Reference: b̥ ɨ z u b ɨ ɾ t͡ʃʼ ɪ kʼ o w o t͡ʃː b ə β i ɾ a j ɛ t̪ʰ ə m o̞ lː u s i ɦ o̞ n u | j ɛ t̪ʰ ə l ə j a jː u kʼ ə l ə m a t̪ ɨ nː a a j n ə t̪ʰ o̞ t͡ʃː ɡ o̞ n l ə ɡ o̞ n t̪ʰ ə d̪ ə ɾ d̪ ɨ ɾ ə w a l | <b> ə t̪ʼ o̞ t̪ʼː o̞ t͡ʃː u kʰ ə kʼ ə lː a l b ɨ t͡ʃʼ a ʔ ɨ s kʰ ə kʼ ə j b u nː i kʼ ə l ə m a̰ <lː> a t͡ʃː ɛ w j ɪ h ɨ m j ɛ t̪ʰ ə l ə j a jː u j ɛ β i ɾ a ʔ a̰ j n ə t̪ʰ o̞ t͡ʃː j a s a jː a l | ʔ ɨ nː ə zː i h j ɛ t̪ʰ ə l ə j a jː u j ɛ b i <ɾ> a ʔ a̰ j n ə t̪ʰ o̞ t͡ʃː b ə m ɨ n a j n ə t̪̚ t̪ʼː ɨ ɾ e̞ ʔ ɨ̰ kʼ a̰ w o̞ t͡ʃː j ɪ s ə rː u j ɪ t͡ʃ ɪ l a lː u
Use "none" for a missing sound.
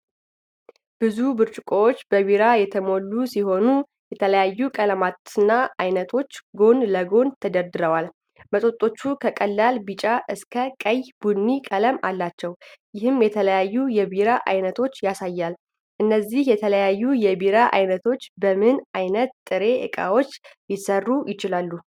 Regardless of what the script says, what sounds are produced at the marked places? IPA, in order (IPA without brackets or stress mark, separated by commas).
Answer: m, lː, ɾ